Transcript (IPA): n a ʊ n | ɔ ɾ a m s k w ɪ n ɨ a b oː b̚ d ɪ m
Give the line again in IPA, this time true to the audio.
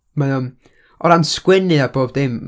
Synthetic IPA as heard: m a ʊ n | ɔ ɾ a n s k w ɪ n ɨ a b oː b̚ d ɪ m